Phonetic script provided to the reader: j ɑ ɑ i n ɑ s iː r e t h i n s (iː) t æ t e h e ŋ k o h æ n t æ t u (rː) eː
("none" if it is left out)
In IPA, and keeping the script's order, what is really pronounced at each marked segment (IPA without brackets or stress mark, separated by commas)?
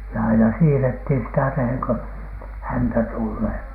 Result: i, lː